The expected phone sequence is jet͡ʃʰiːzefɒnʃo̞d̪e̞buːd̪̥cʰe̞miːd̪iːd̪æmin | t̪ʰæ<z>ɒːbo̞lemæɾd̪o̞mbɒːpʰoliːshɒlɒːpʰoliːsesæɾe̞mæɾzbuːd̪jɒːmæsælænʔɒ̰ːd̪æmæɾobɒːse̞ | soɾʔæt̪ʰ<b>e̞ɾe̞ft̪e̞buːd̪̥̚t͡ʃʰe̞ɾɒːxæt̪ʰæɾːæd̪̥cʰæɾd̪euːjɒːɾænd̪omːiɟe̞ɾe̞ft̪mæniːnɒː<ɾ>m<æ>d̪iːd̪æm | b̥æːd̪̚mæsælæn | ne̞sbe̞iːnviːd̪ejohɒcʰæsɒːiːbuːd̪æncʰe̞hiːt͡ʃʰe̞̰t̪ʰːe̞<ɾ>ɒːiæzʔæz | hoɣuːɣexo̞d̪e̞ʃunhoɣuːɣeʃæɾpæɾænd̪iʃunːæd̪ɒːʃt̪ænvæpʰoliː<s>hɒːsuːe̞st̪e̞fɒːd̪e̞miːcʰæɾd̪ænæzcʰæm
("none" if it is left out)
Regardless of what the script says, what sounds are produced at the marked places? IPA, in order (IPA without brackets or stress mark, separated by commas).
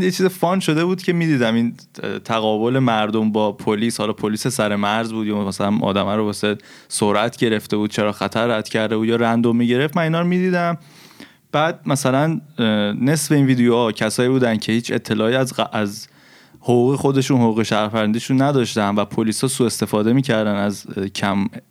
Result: ɣ, ɟ, ɾ, i, l, s